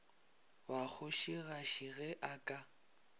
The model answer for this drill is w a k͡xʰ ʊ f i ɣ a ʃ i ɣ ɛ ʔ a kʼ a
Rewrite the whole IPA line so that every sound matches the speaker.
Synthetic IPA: w a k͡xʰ ʊ ʃ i ɣ a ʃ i ɣ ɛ ʔ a kʼ a

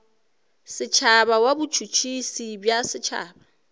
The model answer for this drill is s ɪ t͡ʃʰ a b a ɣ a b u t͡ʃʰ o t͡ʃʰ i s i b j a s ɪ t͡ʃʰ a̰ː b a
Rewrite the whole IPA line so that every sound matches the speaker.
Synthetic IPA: s ɪ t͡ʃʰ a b a w a b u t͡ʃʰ u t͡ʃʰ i s i b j a s ɪ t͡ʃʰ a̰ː b a

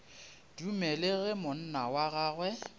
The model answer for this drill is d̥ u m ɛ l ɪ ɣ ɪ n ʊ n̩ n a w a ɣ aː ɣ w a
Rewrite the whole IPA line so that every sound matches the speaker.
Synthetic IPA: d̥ u m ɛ l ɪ ɣ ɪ m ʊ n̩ n a w a ɣ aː ɣ w ɛ

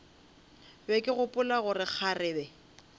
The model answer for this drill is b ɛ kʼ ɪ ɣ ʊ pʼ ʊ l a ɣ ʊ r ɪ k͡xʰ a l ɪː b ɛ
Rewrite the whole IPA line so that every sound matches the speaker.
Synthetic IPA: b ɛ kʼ ɪ ɣ ʊ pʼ ʊ l a ɣ ʊ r ɪ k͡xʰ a r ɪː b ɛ

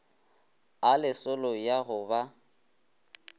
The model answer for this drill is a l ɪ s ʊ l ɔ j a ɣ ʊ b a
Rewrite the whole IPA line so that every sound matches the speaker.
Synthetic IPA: a l ɪ s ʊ l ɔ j a ɣ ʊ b a

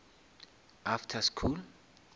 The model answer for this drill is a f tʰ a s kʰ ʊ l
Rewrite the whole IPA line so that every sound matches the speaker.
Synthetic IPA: a f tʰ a s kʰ u l

